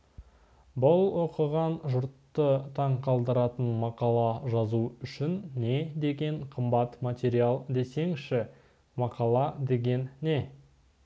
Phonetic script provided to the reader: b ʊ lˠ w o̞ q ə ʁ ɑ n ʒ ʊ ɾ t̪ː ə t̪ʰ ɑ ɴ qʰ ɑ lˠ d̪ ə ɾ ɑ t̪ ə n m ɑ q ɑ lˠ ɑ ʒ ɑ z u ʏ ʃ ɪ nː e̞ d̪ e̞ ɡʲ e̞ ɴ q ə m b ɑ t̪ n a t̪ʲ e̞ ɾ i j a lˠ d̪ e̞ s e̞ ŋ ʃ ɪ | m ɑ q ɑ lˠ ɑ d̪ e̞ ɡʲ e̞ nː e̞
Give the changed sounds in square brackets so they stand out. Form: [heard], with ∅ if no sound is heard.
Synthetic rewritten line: b ʊ lˠ w o̞ q ə ʁ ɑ n ʒ ʊ ɾ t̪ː ə t̪ʰ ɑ ɴ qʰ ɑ lˠ d̪ ə ɾ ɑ t̪ ə n m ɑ q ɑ lˠ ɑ ʒ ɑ z u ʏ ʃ ɪ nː e̞ d̪ e̞ ɡʲ e̞ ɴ [qʰ] ə m b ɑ t̪ [m] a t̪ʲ e̞ ɾ i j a lˠ d̪ e̞ s e̞ ŋ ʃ ɪ | m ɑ q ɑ lˠ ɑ d̪ e̞ ɡʲ e̞ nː e̞